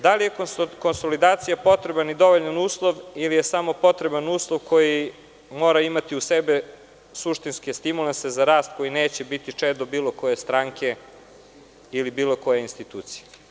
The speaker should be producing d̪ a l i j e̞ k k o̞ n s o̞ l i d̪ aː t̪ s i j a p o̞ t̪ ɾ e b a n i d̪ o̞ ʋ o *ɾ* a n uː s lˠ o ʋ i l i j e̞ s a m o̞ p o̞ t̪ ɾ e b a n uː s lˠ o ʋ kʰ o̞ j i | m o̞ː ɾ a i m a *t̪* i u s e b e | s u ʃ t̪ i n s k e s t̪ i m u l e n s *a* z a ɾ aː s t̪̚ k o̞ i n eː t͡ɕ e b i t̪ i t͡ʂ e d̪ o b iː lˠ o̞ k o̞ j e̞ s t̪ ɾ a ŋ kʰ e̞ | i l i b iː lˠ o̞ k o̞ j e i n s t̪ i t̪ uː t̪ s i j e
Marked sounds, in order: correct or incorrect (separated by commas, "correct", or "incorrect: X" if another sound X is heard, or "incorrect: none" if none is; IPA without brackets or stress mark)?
incorrect: ʎ, correct, incorrect: e